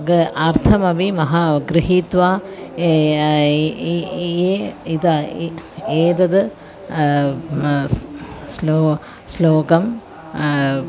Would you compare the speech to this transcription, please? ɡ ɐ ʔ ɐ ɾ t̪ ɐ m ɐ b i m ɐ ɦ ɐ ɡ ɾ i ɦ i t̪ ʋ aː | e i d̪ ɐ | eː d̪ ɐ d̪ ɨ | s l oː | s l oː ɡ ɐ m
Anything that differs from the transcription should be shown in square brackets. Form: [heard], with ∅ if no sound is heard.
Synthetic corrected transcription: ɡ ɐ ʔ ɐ ɾ [t̪ʰ] ɐ m ɐ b i m ɐ ɦ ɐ ɡ ɾ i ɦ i t̪ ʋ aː | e i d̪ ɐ | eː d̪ ɐ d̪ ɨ | s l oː | s l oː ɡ ɐ m